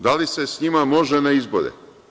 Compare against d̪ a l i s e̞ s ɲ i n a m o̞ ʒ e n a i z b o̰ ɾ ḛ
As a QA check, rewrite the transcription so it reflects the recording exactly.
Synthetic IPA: d̪ a l i s e̞ s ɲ i m a m o̞ ʒ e n a i z b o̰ ɾ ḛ